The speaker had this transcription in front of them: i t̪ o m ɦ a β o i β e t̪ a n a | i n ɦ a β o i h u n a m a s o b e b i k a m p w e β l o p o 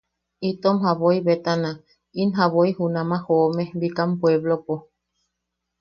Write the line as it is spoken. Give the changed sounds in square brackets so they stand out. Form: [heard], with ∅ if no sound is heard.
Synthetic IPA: i t̪ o m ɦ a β o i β e t̪ a n a | i n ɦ a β o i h u n a m a [h] o [m] e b i k a m p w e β l o p o